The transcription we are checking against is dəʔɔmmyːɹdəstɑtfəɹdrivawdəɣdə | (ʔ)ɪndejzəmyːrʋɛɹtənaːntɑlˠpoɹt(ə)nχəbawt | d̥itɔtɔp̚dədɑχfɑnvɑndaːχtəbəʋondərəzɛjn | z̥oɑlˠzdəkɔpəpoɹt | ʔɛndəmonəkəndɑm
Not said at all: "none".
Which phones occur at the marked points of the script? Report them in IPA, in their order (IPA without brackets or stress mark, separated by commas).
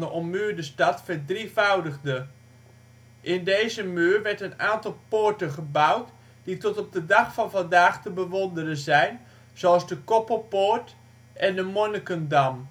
ʔ, ə